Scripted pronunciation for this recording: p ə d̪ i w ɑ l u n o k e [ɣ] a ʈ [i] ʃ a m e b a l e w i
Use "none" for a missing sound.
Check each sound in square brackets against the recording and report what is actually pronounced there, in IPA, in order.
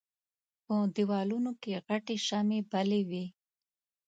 ɣ, e

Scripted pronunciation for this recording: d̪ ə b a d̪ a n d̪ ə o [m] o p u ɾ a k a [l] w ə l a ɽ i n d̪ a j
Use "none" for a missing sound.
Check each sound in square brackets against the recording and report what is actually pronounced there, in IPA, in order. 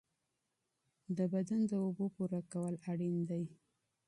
b, none

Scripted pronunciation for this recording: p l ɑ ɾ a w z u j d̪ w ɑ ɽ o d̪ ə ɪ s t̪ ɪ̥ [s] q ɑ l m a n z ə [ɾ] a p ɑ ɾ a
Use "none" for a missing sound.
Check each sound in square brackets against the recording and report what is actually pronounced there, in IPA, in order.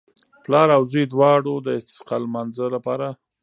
s, l

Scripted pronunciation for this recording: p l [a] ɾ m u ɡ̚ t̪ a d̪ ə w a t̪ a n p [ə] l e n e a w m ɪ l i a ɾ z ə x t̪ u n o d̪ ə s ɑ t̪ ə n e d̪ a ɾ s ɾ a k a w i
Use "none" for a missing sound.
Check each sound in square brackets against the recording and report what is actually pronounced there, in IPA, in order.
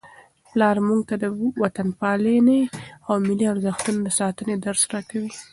ɑ, ɑ

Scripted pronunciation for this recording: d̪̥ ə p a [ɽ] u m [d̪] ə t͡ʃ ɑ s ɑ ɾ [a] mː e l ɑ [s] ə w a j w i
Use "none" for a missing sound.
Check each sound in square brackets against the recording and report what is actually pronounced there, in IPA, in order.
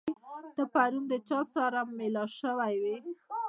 ɾ, d̪, a, ʃ

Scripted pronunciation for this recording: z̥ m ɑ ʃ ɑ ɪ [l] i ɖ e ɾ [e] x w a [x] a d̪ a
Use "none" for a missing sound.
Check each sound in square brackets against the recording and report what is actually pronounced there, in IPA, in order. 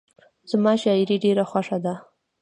ɾ, a, ʂ

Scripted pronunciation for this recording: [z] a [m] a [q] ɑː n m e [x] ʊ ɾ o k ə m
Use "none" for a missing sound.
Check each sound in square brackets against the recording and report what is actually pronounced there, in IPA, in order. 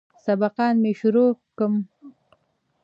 s, b, q, ʃ

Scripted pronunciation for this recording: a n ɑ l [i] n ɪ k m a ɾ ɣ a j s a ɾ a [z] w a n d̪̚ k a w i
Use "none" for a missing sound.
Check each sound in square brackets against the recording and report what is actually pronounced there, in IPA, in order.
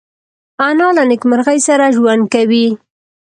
a, ʒ

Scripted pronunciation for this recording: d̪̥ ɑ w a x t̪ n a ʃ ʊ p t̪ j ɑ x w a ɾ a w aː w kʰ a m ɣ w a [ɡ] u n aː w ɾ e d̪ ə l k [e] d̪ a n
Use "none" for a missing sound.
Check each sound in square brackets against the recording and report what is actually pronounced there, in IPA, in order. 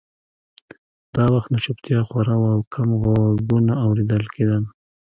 ɡ, e

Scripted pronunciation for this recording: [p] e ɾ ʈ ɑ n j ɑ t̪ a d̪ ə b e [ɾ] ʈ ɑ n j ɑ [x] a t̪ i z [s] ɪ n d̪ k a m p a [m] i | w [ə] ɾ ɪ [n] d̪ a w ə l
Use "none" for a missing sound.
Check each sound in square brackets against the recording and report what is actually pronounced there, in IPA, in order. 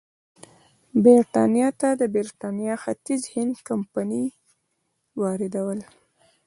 b, ɾ, x, h, n, ɑ, none

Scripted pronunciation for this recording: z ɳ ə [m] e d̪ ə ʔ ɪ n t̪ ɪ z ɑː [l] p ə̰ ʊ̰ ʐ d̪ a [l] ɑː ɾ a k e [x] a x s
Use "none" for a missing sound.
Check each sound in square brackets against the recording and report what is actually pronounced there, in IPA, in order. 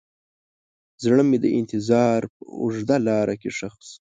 m, ɾ, l, ʂ

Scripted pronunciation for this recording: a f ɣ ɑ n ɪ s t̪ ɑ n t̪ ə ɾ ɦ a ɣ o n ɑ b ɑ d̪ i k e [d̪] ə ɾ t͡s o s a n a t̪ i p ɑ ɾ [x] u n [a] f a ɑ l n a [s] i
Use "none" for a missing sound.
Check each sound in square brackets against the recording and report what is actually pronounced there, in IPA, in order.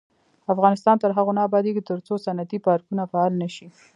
t̪, k, a, ʃ

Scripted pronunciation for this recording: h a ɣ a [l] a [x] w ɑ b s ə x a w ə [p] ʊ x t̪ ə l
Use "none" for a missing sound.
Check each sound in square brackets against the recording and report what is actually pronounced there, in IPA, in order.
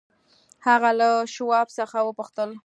l, ʃ, p

